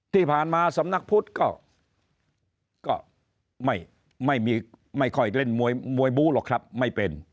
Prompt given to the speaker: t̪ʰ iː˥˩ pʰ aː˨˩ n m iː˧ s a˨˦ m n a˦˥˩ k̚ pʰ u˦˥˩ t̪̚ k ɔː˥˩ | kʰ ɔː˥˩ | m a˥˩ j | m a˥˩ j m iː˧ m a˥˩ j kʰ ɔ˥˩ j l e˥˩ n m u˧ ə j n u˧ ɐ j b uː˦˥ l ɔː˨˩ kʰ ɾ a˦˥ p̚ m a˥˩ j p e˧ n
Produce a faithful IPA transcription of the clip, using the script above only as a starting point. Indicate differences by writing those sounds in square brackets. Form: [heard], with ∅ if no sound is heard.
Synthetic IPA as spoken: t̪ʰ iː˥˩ pʰ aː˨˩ n m [aː˧] s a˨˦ m n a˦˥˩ k̚ pʰ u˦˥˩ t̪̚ k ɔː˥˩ | [k] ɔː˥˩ | m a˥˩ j | m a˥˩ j m iː˧ m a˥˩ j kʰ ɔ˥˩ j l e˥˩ n m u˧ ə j [m] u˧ [ə] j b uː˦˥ l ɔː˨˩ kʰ ɾ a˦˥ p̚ m a˥˩ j p e˧ n

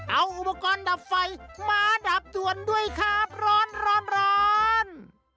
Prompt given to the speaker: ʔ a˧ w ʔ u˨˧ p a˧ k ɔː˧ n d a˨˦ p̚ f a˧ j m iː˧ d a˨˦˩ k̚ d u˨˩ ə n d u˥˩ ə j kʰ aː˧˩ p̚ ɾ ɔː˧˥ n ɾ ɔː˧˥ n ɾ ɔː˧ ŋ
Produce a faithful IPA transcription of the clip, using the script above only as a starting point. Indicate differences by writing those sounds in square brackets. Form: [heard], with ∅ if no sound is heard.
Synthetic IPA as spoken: ʔ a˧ w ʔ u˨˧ p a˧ k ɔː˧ n d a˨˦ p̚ f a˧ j m [aː˧] d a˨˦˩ [p̚] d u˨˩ ə n d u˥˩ ə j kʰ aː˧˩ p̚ ɾ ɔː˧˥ n ɾ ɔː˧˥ n ɾ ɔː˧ [n]

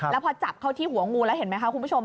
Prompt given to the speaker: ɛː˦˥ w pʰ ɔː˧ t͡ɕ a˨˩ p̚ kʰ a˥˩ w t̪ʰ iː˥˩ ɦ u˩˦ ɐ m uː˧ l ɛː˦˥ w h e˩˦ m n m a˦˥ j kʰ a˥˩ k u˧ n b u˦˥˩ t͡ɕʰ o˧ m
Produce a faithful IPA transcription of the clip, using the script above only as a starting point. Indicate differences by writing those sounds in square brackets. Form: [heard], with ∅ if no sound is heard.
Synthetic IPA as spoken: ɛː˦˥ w pʰ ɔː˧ t͡ɕ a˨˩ p̚ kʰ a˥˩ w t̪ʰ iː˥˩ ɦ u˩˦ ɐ [ŋ] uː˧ l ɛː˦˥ w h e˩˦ [∅] n m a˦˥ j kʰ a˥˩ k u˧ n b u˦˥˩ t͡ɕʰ o˧ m

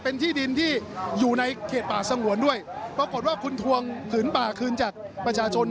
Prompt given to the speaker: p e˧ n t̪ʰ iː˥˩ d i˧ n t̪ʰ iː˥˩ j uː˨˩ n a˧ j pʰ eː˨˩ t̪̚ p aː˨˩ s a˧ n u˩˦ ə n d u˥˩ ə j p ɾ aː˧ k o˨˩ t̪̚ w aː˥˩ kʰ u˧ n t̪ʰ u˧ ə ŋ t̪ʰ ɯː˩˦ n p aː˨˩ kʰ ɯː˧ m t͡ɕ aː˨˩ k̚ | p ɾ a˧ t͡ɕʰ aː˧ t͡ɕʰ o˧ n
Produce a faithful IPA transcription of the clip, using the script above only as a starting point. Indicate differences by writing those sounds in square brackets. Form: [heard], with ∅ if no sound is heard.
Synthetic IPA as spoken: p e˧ n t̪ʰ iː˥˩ d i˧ n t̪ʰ iː˥˩ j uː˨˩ n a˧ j [kʰ] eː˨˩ t̪̚ p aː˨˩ s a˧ [ŋ] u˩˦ ə n d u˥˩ ə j p ɾ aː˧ k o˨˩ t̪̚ w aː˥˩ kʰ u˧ n t̪ʰ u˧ ə ŋ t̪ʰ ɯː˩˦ n p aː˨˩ kʰ ɯː˧ [n] t͡ɕ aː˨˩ k̚ | p ɾ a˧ t͡ɕʰ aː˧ t͡ɕʰ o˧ n

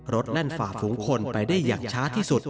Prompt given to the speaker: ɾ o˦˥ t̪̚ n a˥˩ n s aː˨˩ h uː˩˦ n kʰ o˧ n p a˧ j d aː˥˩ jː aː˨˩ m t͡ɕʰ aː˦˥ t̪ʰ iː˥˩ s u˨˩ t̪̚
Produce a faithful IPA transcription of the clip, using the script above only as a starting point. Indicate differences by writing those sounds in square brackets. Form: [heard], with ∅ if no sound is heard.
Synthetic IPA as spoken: ɾ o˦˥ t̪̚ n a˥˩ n [f] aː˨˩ [f] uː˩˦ [ŋ] kʰ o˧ n p a˧ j d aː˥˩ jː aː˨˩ [ŋ] t͡ɕʰ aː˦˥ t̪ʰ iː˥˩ s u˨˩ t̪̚

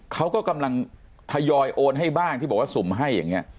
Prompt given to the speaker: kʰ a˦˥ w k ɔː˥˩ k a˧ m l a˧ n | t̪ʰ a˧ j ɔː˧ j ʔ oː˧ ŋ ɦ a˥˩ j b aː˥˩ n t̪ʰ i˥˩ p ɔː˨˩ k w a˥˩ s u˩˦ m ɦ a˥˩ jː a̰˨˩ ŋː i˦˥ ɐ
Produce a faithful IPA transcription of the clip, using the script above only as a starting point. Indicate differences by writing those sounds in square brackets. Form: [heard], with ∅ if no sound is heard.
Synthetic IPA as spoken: kʰ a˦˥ w k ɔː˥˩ k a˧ m l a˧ [ŋ] | t̪ʰ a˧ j ɔː˧ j ʔ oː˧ [n] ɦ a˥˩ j b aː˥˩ [ŋ] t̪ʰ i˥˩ [b] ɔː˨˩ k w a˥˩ s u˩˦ m ɦ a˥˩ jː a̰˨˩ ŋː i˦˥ ɐ

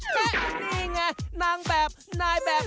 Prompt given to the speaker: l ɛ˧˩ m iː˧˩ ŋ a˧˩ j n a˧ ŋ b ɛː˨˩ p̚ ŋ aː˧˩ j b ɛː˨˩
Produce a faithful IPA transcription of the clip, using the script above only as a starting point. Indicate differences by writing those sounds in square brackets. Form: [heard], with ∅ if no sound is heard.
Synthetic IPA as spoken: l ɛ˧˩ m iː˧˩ ŋ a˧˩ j n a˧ ŋ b ɛː˨˩ p̚ [n] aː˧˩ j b ɛː˨˩

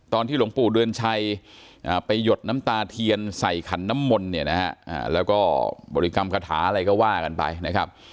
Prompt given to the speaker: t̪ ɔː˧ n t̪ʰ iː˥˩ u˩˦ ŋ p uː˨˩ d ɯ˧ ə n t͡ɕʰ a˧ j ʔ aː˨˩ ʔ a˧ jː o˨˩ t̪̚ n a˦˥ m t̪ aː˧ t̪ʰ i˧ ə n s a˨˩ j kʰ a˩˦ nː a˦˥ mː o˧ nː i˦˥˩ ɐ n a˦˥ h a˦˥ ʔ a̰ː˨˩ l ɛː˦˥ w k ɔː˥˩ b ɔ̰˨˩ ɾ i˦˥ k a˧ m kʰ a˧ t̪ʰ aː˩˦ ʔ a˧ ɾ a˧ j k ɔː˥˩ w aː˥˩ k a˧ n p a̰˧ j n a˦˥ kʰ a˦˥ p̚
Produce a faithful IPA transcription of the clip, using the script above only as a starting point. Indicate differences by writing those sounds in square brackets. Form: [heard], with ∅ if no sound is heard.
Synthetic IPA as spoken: t̪ ɔː˧ n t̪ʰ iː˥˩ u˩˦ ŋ p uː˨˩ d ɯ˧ ə n t͡ɕʰ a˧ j ʔ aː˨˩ [p] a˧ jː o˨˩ t̪̚ n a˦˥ m t̪ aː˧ t̪ʰ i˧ ə n s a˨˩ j kʰ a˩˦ nː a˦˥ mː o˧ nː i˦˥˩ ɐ n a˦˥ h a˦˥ ʔ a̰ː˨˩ l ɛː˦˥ w k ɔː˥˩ b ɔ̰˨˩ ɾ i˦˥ k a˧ m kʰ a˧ t̪ʰ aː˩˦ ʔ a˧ ɾ a˧ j k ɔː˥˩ w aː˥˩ k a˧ n p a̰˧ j n a˦˥ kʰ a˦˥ p̚

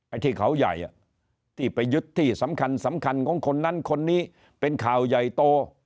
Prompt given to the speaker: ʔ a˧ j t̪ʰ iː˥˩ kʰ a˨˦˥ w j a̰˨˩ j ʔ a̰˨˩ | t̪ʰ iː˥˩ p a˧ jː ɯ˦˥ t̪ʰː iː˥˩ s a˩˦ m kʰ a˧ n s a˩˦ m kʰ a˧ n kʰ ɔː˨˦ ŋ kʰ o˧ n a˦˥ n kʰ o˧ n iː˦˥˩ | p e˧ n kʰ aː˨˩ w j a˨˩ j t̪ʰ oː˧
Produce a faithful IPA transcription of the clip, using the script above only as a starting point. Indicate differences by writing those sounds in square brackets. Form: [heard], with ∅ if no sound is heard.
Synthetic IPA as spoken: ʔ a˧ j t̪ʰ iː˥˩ kʰ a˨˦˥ w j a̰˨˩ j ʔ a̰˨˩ | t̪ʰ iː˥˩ p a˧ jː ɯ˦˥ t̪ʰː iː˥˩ s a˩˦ m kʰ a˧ n s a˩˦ m kʰ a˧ n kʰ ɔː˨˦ ŋ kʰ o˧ [nː] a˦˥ n kʰ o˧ [nː] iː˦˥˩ | p e˧ n kʰ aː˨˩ w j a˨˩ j [t̪] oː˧

